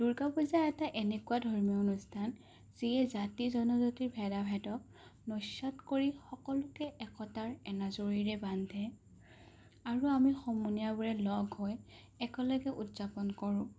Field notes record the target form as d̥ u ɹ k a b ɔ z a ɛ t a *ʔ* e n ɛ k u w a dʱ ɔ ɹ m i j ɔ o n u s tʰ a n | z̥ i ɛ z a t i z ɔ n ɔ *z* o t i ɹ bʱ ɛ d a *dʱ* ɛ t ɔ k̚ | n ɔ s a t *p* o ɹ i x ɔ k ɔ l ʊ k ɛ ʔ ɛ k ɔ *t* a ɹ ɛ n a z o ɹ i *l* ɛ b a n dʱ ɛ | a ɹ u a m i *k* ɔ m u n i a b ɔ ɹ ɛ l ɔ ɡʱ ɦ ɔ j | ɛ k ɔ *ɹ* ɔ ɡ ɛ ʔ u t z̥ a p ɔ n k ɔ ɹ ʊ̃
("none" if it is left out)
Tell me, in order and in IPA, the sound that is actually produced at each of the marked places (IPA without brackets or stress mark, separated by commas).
ʔ, z, bʱ, k, t, ɹ, x, l